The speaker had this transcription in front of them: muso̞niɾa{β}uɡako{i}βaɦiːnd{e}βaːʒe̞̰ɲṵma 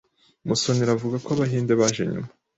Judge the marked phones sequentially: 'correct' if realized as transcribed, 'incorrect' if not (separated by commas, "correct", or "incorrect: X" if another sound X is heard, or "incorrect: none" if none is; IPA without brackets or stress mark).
incorrect: v, incorrect: a, correct